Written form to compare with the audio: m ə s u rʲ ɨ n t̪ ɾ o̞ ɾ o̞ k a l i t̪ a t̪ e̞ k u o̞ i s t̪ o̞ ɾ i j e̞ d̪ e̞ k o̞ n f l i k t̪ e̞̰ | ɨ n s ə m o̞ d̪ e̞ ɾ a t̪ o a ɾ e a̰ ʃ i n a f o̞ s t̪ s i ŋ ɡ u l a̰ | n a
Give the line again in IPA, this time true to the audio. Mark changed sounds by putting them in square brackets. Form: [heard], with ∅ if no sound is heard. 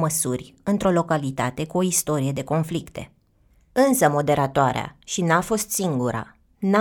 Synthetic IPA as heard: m ə s u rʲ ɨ n t̪ ɾ o̞ [l] o̞ k a l i t̪ a t̪ e̞ k u o̞ i s t̪ o̞ ɾ i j e̞ d̪ e̞ k o̞ n f l i k t̪ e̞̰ | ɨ n s ə m o̞ d̪ e̞ ɾ a t̪ o a ɾ e a̰ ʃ i n a f o̞ s t̪ s i ŋ ɡ u [ɾ] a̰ | n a